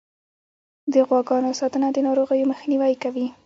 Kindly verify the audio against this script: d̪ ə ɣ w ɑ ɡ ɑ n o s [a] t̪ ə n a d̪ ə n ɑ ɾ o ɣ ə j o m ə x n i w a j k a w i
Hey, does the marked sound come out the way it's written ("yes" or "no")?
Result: no